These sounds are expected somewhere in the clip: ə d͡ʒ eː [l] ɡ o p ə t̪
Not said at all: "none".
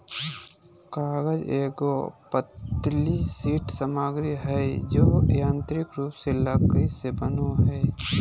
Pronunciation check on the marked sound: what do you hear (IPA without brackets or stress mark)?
none